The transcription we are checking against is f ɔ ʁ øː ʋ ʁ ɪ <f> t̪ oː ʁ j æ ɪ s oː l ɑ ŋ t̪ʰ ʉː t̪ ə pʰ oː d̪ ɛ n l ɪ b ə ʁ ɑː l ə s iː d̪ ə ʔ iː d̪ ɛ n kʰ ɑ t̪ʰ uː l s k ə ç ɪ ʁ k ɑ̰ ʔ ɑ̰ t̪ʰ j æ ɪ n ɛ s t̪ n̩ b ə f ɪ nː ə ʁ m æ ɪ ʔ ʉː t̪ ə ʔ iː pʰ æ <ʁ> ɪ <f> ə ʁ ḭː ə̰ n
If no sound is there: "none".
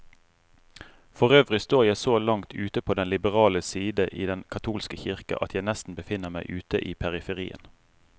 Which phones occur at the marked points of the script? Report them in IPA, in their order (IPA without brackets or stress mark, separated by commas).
s, ʁ, f